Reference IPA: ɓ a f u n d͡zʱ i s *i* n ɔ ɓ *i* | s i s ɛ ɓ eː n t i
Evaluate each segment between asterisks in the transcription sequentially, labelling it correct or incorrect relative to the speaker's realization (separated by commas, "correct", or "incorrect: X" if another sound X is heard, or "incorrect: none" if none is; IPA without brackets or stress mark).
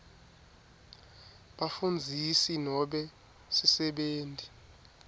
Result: correct, incorrect: ɛ